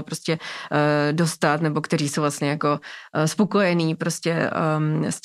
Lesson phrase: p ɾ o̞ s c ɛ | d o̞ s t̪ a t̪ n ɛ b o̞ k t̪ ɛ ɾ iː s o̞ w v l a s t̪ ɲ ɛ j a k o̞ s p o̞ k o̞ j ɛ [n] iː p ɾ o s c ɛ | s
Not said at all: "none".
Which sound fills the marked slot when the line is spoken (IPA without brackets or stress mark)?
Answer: n